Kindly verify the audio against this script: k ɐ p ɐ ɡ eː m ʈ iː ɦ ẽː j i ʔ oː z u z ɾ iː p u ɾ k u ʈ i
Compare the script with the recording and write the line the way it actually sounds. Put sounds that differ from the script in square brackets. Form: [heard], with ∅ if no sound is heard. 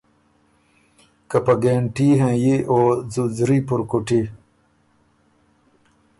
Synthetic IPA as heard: k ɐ p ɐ ɡ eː [ɳ] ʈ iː ɦ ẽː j i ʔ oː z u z ɾ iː p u ɾ k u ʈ i

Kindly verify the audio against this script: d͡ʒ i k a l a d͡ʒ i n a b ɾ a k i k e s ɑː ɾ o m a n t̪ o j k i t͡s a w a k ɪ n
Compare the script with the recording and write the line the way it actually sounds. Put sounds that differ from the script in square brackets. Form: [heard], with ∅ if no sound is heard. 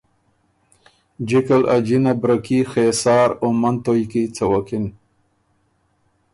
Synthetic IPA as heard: d͡ʒ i k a l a d͡ʒ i n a b ɾ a k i [x] e s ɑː ɾ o m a n t̪ o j k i t͡s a w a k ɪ n

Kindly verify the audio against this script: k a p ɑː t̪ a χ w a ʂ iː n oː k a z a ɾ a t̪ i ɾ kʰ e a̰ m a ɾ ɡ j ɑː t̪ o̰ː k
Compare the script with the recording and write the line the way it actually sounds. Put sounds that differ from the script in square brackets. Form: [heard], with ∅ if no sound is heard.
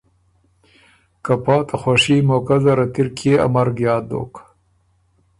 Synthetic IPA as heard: k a p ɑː t̪ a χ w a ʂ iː [m] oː k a z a ɾ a t̪ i ɾ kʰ e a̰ m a ɾ ɡ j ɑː [d̪] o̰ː k

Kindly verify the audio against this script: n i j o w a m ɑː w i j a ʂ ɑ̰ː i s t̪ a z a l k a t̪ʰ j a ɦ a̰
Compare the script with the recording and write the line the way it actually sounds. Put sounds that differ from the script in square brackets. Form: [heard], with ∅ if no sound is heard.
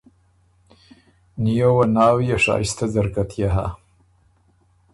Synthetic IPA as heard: n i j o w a [n] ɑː w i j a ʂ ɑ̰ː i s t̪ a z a [ɾ] k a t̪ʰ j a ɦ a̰

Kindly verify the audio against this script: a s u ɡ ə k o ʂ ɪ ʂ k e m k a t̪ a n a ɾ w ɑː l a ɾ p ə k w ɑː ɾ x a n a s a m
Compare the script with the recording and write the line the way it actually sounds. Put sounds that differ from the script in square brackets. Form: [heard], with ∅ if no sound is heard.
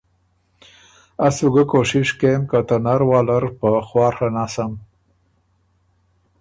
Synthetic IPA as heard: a s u ɡ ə k o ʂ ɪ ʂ k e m k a t̪ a n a ɾ w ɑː l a ɾ p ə [x] w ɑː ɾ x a n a s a m

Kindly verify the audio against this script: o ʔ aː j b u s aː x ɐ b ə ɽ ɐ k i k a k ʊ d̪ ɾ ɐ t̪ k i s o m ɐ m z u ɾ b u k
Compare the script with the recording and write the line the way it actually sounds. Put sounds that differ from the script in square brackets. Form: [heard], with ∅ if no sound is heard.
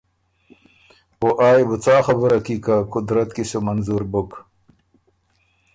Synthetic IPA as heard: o ʔ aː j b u [t͡s] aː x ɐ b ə [ɾ] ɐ k i k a k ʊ d̪ ɾ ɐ t̪ k i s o m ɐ [n] z u ɾ b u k

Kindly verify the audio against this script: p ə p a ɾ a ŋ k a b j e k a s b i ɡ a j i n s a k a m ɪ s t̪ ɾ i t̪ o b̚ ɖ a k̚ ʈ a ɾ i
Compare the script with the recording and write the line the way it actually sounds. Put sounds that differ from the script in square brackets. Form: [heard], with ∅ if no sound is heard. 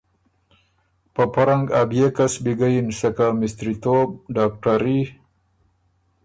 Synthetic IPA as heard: p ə p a ɾ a ŋ [ɡ] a b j e k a s b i ɡ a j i n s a k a m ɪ s t̪ ɾ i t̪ o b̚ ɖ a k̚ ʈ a ɾ i

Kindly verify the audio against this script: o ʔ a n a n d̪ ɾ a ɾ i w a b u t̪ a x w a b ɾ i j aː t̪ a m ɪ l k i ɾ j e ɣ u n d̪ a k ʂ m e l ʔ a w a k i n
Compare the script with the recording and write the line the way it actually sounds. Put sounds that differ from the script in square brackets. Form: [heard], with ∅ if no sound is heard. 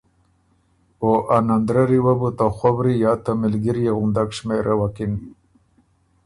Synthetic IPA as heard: o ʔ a n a n d̪ ɾ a ɾ i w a b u t̪ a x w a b ɾ i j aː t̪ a m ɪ l [ɡ] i ɾ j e ɣ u n d̪ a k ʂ m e [ɾ] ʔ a w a k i n

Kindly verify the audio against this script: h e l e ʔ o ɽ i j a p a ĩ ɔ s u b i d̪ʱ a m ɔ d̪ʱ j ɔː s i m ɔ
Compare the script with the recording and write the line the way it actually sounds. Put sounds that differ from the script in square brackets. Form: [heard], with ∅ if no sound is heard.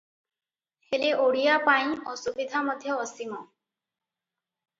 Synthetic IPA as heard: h e l e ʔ o ɽ i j a p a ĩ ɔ s u b i d̪ʱ a m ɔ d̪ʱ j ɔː s i m ɔ

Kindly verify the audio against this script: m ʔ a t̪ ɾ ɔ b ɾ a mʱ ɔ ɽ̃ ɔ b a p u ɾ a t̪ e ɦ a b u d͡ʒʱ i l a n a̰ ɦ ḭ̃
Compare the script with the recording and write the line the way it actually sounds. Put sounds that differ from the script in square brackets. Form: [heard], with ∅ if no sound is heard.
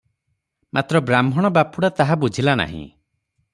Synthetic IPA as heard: m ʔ a t̪ ɾ ɔ b ɾ a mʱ ɔ ɽ̃ ɔ b a p u [ɽ] a t̪ [a] ɦ a b u d͡ʒʱ i l a n a̰ ɦ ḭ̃

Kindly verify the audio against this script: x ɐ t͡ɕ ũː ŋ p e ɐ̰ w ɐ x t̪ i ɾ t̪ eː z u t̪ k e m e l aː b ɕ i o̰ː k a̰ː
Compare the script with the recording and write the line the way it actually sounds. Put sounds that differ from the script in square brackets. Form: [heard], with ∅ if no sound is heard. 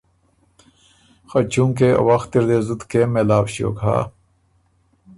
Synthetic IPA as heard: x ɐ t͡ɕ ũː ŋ [k] e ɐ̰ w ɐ x t̪ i ɾ [d̪] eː z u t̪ k e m e l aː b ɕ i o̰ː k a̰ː

